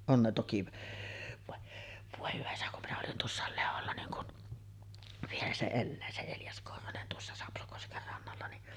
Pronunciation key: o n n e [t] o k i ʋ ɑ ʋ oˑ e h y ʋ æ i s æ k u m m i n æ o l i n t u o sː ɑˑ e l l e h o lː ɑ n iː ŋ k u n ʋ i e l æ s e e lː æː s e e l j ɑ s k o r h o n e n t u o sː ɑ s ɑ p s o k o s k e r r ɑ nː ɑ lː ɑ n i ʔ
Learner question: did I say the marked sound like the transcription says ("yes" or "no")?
yes